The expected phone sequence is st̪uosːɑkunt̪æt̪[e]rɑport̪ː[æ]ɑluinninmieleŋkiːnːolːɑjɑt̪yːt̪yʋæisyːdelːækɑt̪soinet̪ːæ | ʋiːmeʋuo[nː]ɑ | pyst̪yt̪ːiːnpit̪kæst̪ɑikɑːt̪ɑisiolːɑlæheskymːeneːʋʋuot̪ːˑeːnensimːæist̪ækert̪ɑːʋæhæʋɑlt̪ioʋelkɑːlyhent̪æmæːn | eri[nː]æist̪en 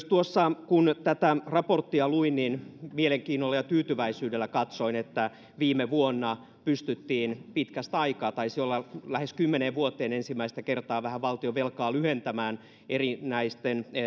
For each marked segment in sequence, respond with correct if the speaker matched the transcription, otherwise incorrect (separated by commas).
incorrect, incorrect, correct, incorrect